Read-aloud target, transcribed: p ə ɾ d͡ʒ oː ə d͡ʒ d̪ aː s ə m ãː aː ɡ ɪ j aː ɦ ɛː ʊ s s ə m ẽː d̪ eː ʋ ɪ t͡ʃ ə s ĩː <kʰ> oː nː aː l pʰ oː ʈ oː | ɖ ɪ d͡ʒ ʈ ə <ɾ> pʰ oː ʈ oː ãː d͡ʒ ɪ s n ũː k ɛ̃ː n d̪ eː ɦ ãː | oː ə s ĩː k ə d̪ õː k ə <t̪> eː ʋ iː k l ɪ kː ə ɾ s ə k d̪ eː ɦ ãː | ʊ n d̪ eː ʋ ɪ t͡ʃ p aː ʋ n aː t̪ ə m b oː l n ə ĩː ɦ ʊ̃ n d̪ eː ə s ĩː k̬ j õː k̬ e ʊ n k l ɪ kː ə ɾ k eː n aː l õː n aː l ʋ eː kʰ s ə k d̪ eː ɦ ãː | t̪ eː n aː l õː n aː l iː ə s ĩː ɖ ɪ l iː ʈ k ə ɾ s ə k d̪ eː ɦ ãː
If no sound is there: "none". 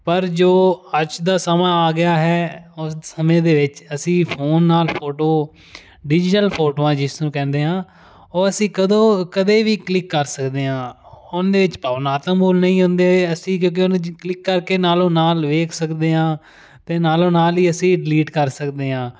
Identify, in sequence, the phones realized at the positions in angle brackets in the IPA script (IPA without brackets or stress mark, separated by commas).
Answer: pʰ, l, d̪